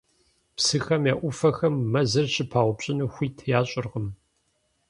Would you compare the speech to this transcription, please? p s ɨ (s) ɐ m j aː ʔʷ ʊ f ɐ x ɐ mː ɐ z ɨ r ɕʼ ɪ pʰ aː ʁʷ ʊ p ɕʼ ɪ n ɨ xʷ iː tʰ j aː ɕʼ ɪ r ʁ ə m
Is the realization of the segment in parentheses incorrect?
yes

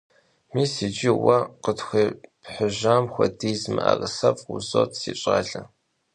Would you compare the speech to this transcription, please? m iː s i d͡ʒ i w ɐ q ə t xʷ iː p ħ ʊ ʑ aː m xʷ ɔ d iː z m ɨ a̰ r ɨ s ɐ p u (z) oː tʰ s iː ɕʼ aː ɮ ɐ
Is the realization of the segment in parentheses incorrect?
no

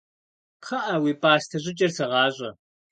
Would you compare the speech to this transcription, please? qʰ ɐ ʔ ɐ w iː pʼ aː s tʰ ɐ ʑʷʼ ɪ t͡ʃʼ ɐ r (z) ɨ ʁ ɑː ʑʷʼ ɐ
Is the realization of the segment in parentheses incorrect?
yes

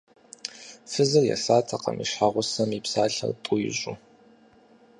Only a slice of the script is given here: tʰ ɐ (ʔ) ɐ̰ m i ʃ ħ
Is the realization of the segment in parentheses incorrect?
yes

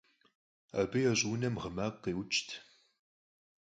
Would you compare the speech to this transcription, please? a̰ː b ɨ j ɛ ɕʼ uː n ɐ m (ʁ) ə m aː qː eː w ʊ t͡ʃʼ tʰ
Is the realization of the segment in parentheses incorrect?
no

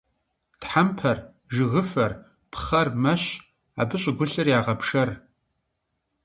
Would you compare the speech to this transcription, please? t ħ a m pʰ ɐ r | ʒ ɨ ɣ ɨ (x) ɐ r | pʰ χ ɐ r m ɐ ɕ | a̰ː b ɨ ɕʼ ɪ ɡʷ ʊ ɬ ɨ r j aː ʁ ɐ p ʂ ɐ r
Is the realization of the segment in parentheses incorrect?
yes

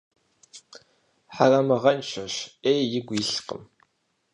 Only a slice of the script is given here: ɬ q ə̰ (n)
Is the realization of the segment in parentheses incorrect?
yes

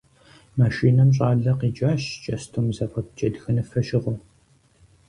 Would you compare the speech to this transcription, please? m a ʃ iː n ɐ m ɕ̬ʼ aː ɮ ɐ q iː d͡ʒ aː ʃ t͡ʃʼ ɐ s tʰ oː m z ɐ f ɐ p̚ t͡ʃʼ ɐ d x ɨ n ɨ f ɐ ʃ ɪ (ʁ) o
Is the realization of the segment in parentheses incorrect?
no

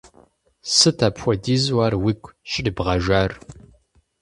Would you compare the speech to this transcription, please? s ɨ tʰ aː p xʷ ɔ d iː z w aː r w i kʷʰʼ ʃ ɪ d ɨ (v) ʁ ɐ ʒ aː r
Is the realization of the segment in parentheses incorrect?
yes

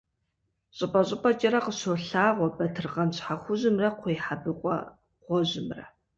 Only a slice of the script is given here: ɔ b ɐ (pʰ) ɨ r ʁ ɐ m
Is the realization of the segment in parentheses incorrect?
yes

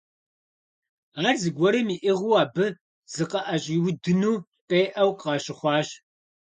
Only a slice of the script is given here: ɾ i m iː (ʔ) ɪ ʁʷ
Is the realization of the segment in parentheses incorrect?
no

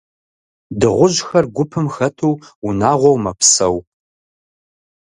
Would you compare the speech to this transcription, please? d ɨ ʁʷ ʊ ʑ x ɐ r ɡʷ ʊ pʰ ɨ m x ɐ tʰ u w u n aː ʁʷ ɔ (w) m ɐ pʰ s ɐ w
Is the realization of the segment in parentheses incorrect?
no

